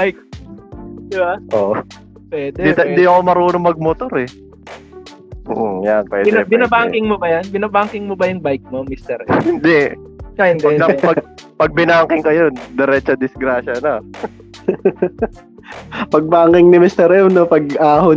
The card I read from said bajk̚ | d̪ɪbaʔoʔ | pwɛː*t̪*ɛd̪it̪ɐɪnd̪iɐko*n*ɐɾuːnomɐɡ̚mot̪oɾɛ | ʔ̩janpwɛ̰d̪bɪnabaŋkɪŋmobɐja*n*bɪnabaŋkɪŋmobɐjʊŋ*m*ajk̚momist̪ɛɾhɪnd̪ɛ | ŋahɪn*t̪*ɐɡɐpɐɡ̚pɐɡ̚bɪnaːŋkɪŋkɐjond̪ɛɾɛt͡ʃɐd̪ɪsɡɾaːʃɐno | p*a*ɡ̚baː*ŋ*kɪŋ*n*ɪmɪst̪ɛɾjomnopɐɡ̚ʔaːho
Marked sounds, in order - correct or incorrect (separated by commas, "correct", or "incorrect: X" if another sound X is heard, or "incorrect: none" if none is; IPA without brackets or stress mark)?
incorrect: d̪, incorrect: m, correct, incorrect: b, incorrect: d̪, incorrect: ɐ, correct, correct